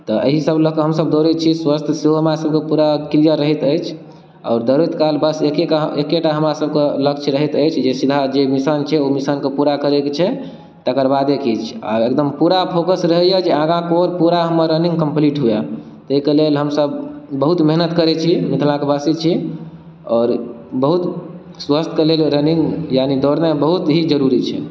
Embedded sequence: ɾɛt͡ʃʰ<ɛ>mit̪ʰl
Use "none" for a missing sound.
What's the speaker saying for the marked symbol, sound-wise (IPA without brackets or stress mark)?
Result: i